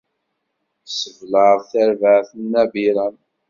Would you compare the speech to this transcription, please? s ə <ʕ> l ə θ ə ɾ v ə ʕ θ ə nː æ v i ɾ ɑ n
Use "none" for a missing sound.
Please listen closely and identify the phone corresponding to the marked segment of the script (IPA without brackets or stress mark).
v